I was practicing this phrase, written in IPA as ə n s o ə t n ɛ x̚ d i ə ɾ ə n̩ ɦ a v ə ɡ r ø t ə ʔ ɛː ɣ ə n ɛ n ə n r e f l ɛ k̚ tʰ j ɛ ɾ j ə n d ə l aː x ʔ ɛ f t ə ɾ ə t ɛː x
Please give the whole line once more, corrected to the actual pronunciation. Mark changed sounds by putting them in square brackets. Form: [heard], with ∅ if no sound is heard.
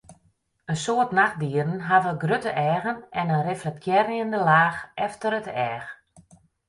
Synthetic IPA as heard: ə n s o ə t n [a] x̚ d i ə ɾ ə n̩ ɦ a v ə ɡ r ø t ə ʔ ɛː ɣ ə n ɛ n ə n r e f l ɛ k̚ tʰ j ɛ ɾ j ə n d ə l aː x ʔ ɛ f t ə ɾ ə t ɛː x